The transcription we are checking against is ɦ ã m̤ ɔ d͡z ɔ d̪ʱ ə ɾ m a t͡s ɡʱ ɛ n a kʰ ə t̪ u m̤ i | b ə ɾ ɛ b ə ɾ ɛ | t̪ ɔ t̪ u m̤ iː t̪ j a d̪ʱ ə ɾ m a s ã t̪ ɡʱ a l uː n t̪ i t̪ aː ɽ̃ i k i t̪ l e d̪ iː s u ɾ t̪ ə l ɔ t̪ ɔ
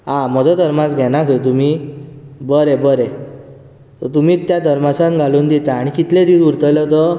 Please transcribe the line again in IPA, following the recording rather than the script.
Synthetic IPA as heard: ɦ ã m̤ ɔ d͡z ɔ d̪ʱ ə ɾ m a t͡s ɡʱ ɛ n a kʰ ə t̪ u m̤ i | b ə ɾ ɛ b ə ɾ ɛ | t̪ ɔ t̪ u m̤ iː t̪ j a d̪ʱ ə ɾ m a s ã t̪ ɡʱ a l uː n d̪ i t̪ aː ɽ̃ i k i t̪ l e d̪ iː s u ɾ t̪ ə l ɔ t̪ ɔ